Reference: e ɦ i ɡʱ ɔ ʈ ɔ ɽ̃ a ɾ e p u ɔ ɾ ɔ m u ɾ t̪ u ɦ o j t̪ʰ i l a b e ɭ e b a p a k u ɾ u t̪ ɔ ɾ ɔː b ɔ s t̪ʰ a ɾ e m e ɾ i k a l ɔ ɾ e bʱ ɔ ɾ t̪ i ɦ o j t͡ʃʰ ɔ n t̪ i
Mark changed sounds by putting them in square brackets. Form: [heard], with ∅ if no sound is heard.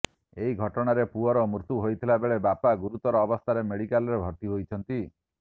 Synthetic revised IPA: e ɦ i ɡʱ ɔ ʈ ɔ ɽ̃ a ɾ e p u ɔ ɾ ɔ m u ɾ t̪ u ɦ o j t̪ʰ i l a b e ɭ e b a p a [ɡ] u ɾ u t̪ ɔ ɾ ɔː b ɔ s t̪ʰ a ɾ e m e [ɽ] i k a l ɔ ɾ e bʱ ɔ ɾ t̪ i ɦ o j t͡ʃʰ ɔ n t̪ i